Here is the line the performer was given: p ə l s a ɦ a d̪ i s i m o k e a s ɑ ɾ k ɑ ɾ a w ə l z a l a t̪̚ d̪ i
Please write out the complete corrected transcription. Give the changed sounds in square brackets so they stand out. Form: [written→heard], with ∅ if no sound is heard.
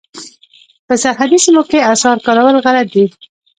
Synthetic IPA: p ə [l→∅] s a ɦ a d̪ i s i m o k e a s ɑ ɾ k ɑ ɾ a w ə l [z→ɣ] a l a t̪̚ d̪ i